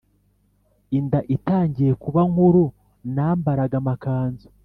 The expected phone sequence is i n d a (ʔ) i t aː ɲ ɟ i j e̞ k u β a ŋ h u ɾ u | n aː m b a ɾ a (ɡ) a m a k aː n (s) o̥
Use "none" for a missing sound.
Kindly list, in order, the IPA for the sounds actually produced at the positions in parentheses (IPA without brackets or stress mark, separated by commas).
ʔ, ɡ, z